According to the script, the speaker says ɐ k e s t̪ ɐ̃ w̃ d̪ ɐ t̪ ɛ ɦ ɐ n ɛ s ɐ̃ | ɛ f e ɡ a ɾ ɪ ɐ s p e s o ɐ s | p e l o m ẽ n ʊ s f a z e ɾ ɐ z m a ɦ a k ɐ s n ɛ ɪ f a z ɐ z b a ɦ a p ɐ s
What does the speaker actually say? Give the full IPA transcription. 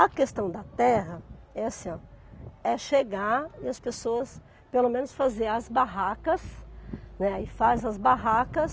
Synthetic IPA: ɐ k e s t̪ ɐ̃ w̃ d̪ ɐ t̪ ɛ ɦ ɐ ɛ s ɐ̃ | ɛ ʃ e ɡ a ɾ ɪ ɐ s p e s o ɐ s | p e l o m ẽ n ʊ s f a z e ɾ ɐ z b a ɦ a k ɐ s n ɛ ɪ f a z ɐ z b a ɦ a k ɐ s